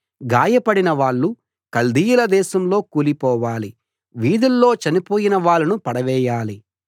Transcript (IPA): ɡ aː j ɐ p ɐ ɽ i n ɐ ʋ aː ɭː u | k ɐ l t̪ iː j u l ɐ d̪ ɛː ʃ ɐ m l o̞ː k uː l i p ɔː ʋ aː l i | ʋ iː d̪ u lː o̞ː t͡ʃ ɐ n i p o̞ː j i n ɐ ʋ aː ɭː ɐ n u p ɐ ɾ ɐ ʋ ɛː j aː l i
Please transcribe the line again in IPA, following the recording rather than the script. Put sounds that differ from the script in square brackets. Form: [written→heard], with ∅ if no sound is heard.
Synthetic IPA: ɡ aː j ɐ p ɐ ɽ i n ɐ ʋ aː ɭː u | k ɐ l [t̪→d̪] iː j u l ɐ d̪ ɛː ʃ ɐ m l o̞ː k uː l i p ɔː ʋ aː l i | ʋ iː d̪ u lː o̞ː t͡ʃ ɐ n i p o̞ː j i n ɐ ʋ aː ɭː ɐ n u p ɐ [ɾ→ɽ] ɐ ʋ ɛː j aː l i

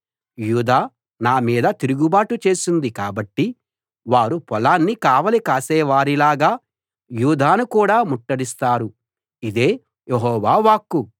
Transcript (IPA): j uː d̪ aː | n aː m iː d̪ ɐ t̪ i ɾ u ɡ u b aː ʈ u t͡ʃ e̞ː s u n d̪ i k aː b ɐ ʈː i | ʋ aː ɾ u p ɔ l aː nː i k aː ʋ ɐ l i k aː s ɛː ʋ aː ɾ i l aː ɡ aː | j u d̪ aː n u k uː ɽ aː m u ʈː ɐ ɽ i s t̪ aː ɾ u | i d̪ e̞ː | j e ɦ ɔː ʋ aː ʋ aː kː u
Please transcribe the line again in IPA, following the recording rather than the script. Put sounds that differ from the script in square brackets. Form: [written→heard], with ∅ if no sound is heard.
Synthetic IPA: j uː d̪ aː | n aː m iː d̪ ɐ t̪ i ɾ u ɡ u b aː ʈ u t͡ʃ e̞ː s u n d̪ i k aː b ɐ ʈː i | ʋ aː ɾ u p ɔ l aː nː i k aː ʋ ɐ l i k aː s ɛː ʋ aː ɾ i l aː ɡ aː | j [u→uː] d̪ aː n u k uː ɽ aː m u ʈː ɐ ɽ i s t̪ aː ɾ u | i d̪ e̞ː | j e ɦ ɔː ʋ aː ʋ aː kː u

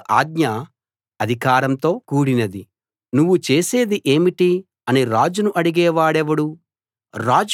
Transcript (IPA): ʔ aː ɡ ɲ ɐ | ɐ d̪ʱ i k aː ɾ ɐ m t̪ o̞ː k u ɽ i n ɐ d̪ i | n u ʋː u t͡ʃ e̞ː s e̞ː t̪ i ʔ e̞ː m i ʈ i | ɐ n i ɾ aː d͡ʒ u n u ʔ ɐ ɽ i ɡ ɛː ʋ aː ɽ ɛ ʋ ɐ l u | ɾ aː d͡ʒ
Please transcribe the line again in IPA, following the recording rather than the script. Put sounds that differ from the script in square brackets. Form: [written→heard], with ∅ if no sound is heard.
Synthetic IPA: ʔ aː ɡ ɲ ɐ | ɐ d̪ʱ i k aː ɾ ɐ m t̪ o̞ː k [u→uː] ɽ i n ɐ d̪ i | n u ʋː u t͡ʃ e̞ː s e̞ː [t̪→d̪] i ʔ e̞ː m i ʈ i | ɐ n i ɾ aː d͡ʒ u n u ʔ ɐ ɽ i ɡ ɛː ʋ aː ɽ ɛ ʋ ɐ [l→ɽ] u | ɾ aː d͡ʒ

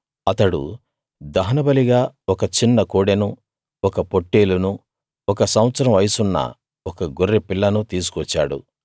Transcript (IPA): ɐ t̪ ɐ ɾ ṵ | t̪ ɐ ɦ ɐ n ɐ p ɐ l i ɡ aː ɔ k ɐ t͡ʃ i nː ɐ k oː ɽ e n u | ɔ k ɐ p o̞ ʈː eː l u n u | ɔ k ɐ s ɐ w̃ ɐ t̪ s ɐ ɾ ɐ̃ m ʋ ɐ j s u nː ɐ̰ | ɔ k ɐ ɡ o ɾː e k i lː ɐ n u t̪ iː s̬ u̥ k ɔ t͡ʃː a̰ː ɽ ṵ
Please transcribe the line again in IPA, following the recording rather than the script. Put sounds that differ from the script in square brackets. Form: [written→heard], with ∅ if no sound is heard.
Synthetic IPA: ɐ t̪ ɐ [ɾ→ɽ] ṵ | [t̪→d̪] ɐ ɦ ɐ n ɐ [p→b] ɐ l i ɡ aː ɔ k ɐ t͡ʃ i nː ɐ k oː ɽ e n u | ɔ k ɐ p o̞ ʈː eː l u n u | ɔ k ɐ s ɐ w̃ ɐ t̪ s ɐ ɾ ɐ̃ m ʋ ɐ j s u nː ɐ̰ | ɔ k ɐ ɡ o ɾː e [k→p] i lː ɐ n u t̪ iː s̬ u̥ k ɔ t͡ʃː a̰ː ɽ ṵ

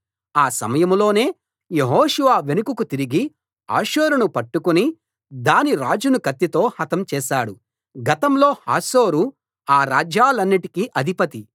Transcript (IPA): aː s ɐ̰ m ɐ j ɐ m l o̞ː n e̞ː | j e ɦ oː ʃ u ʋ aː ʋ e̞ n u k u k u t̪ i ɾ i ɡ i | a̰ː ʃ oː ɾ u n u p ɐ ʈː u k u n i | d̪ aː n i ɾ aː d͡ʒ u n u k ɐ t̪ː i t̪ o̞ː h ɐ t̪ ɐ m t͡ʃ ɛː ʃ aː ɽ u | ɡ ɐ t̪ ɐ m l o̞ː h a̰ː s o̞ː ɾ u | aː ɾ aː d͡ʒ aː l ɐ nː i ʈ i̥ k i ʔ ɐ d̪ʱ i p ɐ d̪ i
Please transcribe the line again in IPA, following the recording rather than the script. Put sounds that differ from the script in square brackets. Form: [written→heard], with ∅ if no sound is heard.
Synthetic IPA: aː s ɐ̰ m ɐ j ɐ m l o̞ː n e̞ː | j e ɦ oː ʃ u ʋ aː ʋ e̞ n u k u k u t̪ i ɾ i ɡ i | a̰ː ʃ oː ɾ u n u p ɐ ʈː u k u n i | d̪ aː n i ɾ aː d͡ʒ u n u k ɐ t̪ː i t̪ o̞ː h ɐ t̪ ɐ m t͡ʃ ɛː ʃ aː ɽ u | ɡ ɐ t̪ ɐ m l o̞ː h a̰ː s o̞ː ɾ u | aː ɾ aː d͡ʒ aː l ɐ nː i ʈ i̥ k i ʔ ɐ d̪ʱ i p ɐ [d̪→t̪] i

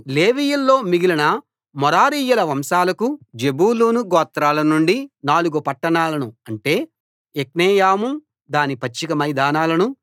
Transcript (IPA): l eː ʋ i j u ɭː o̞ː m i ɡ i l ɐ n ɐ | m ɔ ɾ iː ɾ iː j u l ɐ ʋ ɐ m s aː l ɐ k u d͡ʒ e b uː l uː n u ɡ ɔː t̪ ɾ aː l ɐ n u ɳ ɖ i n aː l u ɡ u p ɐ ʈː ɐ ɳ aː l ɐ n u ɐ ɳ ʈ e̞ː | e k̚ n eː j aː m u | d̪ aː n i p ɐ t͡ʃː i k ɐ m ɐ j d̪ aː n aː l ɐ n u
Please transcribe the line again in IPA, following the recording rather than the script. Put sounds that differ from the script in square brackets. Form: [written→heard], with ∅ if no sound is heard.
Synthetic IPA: l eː ʋ i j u [ɭː→lː] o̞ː m i ɡ i l ɐ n ɐ | m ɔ ɾ [iː→aː] ɾ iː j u l ɐ ʋ ɐ m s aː l ɐ k u d͡ʒ e b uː l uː n u ɡ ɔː t̪ ɾ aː l ɐ n u ɳ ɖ i n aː l u ɡ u p ɐ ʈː ɐ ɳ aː l ɐ n u ɐ ɳ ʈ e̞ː | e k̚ n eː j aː m u | d̪ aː n i p ɐ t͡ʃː i k ɐ m ɐ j d̪ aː n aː l ɐ n u

